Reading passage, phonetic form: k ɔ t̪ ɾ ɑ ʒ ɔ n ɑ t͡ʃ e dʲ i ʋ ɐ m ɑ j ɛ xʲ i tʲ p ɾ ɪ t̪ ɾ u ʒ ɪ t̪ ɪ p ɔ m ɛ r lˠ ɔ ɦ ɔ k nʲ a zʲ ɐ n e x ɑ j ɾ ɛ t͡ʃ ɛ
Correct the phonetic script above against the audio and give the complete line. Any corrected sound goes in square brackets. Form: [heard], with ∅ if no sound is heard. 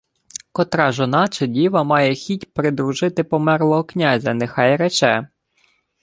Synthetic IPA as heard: k ɔ t̪ ɾ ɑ ʒ ɔ n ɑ t͡ʃ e dʲ i ʋ ɐ m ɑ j ɛ xʲ i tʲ p ɾ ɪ [d̪] ɾ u ʒ ɪ t̪ ɪ p ɔ m ɛ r lˠ ɔ ɦ ɔ k nʲ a zʲ ɐ n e x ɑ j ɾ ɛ t͡ʃ ɛ

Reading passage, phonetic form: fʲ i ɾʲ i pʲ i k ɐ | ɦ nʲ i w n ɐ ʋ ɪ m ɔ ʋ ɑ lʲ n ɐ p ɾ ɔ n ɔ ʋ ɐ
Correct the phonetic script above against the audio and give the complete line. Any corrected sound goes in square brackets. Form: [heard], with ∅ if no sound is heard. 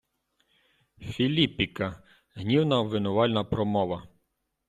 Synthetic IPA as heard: fʲ i [lʲ] i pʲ i k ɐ | ɦ nʲ i w n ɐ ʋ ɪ [n] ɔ ʋ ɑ lʲ n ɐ p ɾ ɔ [m] ɔ ʋ ɐ

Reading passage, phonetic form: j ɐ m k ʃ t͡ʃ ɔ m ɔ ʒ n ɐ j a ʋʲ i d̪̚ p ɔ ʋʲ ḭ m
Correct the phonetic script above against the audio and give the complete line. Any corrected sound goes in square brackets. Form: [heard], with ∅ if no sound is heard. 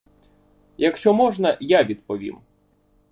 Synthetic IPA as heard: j ɐ [∅] k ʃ t͡ʃ ɔ m ɔ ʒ n ɐ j a ʋʲ i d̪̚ p ɔ ʋʲ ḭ m

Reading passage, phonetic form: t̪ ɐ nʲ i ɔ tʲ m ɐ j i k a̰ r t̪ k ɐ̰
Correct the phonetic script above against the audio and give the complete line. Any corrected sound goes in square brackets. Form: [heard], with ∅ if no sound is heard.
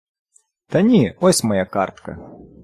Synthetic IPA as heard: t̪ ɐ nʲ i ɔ [sʲ] m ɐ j [a] k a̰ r t̪ k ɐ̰

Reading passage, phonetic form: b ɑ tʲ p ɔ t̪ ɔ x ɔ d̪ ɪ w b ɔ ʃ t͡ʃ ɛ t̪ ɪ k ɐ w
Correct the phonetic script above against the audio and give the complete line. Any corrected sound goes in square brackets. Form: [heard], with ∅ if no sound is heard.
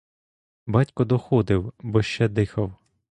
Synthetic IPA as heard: b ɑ tʲ [k] ɔ [d̪] ɔ x ɔ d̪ ɪ w b ɔ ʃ t͡ʃ ɛ [d̪] ɪ [x] ɐ w

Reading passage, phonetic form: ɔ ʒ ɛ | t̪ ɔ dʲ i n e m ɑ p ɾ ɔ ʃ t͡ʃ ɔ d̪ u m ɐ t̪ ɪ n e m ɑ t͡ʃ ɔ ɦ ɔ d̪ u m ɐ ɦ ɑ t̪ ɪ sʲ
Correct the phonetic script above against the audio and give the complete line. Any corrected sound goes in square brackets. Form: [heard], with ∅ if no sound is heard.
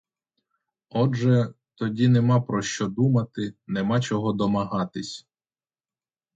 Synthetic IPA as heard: ɔ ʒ ɛ | t̪ ɔ dʲ i n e m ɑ p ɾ ɔ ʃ t͡ʃ ɔ d̪ u m ɐ t̪ ɪ n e m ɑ t͡ʃ ɔ ɦ ɔ d̪ [ɔ] m ɐ ɦ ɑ t̪ ɪ sʲ

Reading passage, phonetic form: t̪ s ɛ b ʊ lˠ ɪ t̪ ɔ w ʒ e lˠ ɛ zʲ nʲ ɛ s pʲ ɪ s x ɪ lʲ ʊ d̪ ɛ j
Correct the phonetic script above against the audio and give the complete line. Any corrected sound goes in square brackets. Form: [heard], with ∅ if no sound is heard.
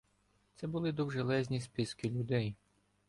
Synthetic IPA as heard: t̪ s ɛ b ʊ lˠ ɪ [d̪] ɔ w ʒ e lˠ ɛ zʲ nʲ [i] s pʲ ɪ s [k] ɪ lʲ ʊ d̪ ɛ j

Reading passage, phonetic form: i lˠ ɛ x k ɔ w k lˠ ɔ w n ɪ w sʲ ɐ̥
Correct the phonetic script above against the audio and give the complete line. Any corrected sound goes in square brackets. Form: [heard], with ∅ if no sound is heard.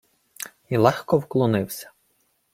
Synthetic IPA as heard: i lˠ ɛ x k ɔ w k lˠ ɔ [∅] n ɪ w sʲ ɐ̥

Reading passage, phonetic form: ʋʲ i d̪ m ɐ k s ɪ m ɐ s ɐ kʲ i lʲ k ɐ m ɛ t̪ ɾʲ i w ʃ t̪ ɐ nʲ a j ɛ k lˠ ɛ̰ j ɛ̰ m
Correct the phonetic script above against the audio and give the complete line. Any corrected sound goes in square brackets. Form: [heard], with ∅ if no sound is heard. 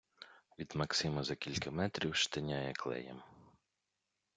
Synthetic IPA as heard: ʋʲ i d̪ m ɐ k s ɪ m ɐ [z] ɐ kʲ i lʲ k ɐ m ɛ t̪ ɾʲ i w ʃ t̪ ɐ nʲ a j ɛ k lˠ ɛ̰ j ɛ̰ m

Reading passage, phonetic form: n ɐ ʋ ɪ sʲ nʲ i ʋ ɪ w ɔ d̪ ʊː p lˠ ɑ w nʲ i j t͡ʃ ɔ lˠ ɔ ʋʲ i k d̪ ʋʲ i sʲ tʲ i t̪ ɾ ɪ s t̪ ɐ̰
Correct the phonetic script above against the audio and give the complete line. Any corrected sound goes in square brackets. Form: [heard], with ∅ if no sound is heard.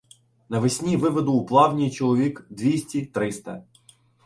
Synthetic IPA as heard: n ɐ ʋ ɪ sʲ nʲ i ʋ ɪ [ʋ] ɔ d̪ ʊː p lˠ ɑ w nʲ i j t͡ʃ ɔ lˠ ɔ ʋʲ i k d̪ ʋʲ i sʲ tʲ i t̪ ɾ ɪ s t̪ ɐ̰

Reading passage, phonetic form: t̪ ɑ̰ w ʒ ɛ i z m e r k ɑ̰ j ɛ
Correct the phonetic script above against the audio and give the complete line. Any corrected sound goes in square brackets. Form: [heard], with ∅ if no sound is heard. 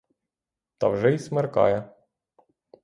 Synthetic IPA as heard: t̪ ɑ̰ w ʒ ɛ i [s] m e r k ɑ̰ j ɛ

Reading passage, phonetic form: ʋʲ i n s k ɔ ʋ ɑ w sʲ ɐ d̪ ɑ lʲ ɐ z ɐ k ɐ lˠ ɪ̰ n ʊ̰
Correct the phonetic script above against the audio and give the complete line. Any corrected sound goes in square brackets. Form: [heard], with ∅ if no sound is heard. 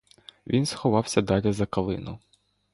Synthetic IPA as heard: ʋʲ i n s [x] ɔ ʋ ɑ w sʲ ɐ d̪ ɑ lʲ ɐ z ɐ k ɐ lˠ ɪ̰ n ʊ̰

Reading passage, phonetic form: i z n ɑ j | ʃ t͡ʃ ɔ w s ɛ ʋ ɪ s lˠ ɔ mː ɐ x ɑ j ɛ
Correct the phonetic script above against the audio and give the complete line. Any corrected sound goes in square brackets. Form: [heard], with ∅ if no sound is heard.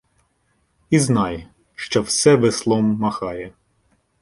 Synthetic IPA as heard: i z n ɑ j | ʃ t͡ʃ ɔ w s ɛ ʋ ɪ s lˠ ɔ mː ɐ x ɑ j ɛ

